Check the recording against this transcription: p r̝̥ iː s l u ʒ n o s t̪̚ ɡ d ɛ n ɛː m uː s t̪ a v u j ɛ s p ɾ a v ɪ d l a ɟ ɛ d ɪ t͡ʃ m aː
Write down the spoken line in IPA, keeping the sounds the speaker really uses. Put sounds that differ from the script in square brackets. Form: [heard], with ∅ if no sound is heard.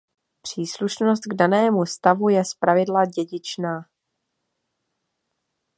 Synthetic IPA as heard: p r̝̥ iː s l u [ʃ] n o s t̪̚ ɡ d [a] n ɛː m [u] s t̪ a v u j ɛ s p ɾ a v ɪ d l a ɟ ɛ [ɟ] ɪ t͡ʃ [n] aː